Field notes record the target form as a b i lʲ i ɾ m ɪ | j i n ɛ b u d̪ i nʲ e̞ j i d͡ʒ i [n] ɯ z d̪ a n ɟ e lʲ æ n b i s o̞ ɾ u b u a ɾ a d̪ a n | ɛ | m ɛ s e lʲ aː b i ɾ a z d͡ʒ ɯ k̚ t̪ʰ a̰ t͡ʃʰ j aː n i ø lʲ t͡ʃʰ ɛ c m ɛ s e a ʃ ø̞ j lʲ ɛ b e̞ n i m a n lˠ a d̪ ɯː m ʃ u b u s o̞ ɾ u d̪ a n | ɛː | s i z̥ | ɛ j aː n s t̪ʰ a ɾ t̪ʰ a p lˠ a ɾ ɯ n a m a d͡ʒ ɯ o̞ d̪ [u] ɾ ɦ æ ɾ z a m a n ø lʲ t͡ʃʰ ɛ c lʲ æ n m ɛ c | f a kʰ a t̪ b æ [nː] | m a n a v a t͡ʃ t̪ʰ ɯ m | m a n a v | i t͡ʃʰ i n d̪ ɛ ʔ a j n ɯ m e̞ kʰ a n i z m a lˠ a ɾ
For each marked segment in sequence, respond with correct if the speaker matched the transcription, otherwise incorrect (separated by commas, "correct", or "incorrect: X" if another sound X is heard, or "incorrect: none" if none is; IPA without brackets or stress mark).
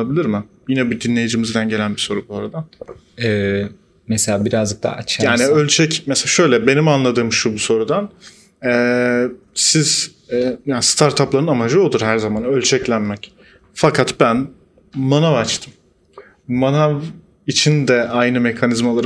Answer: incorrect: m, correct, incorrect: n